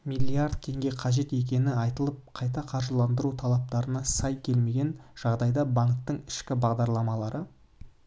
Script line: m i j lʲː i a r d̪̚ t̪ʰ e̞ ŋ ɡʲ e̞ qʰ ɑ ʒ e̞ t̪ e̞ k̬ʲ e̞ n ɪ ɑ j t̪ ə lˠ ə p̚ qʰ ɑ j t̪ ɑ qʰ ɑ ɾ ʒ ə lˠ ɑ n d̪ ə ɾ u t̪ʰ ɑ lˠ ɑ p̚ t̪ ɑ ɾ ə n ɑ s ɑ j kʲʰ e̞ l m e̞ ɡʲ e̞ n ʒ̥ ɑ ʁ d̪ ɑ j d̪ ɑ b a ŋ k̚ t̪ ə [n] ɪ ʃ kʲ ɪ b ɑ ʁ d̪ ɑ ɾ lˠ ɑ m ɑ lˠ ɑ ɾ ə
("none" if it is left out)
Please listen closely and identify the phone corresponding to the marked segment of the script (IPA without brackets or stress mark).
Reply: ɴ